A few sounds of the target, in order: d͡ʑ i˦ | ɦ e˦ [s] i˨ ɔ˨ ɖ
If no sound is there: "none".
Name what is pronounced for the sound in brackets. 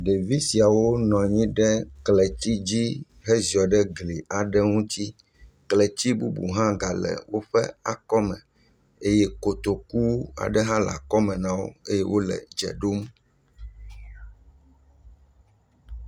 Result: z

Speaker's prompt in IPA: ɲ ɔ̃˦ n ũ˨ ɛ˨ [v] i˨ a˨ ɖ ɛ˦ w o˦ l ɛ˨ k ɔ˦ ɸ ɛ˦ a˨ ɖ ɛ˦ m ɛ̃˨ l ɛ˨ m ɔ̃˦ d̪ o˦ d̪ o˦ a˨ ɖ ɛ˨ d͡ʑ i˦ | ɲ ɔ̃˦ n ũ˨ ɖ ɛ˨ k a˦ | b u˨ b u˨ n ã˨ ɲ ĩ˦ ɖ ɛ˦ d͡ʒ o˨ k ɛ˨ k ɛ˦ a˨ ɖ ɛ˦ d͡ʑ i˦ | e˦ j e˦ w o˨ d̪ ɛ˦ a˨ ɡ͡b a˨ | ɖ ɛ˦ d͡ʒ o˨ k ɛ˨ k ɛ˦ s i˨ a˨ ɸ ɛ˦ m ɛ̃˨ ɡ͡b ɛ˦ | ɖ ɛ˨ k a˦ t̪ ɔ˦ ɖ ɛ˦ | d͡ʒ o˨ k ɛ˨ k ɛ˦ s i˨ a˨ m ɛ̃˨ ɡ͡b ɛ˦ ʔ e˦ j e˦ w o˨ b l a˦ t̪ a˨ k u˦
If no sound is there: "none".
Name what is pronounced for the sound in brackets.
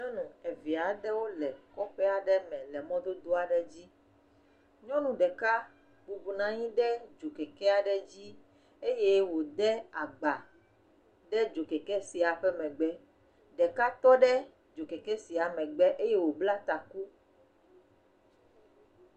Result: v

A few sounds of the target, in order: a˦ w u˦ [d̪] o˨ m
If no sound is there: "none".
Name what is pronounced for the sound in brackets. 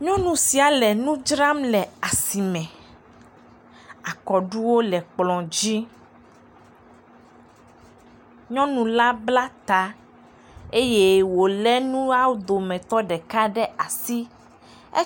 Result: d̪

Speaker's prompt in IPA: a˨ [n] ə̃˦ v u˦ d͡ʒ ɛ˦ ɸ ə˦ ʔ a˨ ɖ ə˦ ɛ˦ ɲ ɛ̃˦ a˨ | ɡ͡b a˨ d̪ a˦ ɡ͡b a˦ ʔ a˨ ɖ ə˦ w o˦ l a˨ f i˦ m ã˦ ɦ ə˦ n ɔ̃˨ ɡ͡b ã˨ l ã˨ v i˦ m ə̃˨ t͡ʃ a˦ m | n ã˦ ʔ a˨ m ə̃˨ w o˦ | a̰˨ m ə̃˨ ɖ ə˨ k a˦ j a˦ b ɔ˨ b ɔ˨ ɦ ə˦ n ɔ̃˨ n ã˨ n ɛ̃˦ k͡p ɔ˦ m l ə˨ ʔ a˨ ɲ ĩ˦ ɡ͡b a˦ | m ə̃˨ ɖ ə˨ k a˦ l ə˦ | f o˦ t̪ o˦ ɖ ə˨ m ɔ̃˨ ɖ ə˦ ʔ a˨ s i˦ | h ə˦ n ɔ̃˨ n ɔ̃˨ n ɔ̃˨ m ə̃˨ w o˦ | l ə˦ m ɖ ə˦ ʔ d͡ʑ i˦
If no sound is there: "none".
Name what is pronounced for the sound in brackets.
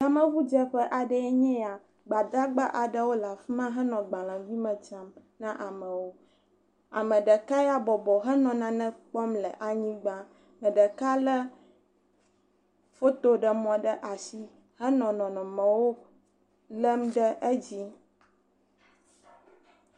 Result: m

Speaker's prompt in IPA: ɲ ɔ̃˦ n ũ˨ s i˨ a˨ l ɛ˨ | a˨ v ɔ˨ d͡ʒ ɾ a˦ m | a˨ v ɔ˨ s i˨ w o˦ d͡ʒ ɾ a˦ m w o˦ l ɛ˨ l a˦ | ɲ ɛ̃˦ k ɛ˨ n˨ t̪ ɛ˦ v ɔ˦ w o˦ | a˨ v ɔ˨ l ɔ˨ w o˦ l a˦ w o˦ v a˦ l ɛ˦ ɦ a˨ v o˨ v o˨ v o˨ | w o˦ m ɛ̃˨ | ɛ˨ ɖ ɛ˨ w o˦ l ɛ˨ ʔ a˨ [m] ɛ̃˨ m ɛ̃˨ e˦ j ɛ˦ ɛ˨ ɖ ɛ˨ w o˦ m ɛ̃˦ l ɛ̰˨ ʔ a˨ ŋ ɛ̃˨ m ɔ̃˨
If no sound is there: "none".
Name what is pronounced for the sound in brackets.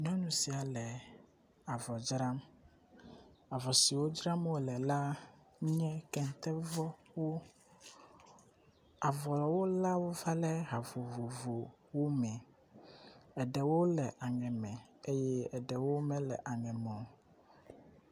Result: ŋ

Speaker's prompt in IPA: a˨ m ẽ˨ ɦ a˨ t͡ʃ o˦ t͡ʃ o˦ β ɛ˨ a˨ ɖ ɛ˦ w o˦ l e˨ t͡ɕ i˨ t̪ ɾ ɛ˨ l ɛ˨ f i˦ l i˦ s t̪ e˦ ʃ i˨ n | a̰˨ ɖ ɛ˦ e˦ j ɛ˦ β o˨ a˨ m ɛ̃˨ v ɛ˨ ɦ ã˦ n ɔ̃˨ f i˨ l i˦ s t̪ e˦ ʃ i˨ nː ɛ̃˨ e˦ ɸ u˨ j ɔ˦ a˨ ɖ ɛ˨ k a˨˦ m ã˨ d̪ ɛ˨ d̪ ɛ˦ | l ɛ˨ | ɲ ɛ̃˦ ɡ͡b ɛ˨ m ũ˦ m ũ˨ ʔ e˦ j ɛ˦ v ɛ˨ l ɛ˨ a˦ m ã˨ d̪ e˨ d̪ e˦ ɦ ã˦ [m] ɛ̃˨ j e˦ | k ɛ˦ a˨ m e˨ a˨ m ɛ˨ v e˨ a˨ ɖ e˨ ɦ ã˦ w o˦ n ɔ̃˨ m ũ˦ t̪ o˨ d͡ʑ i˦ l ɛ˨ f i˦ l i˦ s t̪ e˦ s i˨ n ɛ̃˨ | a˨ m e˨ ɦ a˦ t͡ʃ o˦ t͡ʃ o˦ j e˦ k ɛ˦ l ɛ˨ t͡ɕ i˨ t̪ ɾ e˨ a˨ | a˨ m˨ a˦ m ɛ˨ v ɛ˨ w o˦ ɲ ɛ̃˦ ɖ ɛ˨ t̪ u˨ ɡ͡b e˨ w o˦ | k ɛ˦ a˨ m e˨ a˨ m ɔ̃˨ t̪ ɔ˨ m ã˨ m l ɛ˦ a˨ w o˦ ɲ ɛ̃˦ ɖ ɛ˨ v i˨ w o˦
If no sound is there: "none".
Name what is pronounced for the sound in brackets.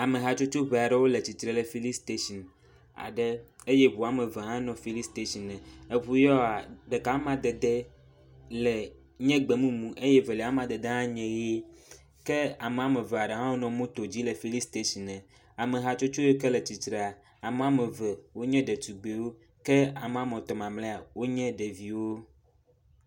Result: ɲ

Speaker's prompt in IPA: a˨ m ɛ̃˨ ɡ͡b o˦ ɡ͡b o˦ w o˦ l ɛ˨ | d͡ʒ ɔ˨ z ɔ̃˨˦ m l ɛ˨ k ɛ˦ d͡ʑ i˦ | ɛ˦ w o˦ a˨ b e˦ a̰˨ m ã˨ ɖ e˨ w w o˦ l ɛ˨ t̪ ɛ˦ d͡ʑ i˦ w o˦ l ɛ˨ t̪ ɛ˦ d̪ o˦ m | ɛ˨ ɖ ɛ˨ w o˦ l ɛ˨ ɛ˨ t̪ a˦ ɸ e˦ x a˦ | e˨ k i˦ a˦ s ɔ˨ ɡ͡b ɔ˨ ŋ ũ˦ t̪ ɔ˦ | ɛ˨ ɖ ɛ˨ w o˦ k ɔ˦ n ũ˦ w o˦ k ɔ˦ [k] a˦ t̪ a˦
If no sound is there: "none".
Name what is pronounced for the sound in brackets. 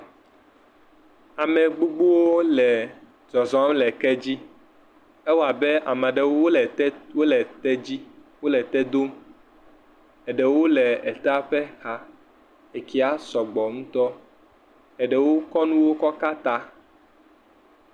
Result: k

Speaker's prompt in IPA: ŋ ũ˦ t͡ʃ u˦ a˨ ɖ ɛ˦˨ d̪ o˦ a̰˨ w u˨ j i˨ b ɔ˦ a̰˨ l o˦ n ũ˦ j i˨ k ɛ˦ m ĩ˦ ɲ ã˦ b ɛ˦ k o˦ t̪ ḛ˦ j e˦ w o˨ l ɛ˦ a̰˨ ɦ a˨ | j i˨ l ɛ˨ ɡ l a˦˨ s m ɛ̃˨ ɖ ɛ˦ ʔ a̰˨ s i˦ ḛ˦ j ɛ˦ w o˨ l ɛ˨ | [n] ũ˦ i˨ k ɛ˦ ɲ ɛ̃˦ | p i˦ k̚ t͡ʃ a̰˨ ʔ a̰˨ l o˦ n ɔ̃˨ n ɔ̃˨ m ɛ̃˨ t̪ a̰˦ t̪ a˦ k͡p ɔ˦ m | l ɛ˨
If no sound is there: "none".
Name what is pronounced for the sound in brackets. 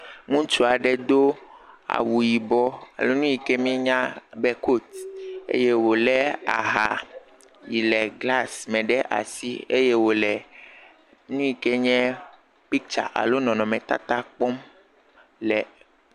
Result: n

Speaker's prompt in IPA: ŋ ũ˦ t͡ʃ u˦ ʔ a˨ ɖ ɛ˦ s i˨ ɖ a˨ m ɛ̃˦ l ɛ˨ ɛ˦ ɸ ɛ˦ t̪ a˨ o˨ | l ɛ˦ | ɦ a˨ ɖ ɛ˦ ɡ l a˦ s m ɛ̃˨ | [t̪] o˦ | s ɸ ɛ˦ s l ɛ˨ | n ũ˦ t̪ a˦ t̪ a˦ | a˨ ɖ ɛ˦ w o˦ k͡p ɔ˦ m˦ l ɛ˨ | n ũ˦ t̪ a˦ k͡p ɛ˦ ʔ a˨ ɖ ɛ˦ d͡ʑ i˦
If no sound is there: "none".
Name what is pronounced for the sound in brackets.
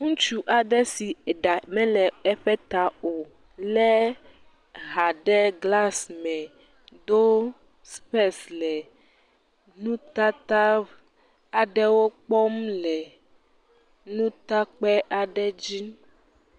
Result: d̪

